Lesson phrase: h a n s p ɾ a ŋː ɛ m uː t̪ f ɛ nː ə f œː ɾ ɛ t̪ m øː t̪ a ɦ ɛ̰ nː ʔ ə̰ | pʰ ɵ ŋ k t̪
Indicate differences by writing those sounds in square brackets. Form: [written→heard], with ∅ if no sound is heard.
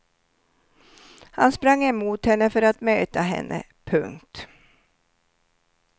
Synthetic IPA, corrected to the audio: h a n s p ɾ a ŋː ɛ m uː t̪ [f→h] ɛ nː ə f [œː→œ] ɾ [ɛ→a] t̪ m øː t̪ a ɦ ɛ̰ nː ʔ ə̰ | pʰ ɵ ŋ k t̪